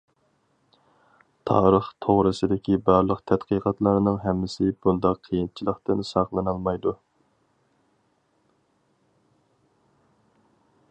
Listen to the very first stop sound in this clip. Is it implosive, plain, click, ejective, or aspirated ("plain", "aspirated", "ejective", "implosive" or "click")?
aspirated